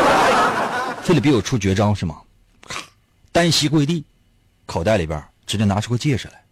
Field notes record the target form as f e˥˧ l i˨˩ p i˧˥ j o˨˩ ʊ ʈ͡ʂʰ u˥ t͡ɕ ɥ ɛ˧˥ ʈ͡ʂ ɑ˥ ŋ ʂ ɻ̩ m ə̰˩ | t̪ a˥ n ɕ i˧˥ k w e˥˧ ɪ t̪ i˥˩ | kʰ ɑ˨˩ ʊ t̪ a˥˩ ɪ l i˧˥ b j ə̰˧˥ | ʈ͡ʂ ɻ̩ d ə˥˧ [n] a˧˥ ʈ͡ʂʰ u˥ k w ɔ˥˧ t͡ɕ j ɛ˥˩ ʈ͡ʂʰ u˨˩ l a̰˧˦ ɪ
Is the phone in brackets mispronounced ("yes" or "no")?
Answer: no